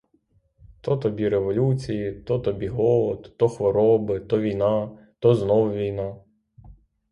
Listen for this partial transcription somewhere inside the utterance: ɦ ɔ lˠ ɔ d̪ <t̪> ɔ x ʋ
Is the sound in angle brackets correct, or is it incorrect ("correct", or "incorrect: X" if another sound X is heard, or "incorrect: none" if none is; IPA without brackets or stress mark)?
correct